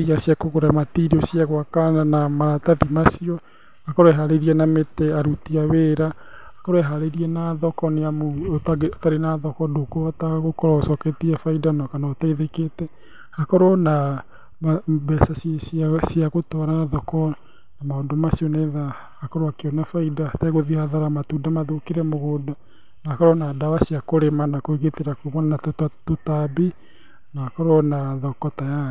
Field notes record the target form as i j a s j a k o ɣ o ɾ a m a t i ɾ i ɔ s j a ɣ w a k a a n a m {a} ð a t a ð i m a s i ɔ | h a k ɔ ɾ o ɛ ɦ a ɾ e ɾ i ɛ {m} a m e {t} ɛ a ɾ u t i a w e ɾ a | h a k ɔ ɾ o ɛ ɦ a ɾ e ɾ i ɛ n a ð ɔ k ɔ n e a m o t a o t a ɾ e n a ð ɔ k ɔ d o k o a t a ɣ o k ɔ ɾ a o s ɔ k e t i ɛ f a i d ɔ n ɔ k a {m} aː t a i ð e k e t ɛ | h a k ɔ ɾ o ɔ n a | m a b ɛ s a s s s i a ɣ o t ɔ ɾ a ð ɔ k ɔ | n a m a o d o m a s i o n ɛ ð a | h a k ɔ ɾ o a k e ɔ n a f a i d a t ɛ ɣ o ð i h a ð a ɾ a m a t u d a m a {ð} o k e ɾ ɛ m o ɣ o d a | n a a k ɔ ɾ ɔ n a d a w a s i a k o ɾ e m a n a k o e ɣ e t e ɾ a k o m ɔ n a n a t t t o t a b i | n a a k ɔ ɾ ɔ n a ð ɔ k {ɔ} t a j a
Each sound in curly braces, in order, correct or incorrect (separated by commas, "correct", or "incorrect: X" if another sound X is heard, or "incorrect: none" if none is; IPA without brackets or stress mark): correct, incorrect: n, correct, incorrect: n, correct, correct